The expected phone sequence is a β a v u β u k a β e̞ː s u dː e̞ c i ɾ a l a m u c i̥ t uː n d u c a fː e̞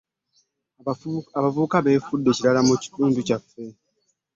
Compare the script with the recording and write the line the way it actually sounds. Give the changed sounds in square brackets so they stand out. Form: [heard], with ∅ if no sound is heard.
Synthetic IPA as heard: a β a v u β u k a β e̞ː [f] u dː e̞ c i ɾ a l a m u c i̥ t uː n d u c a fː e̞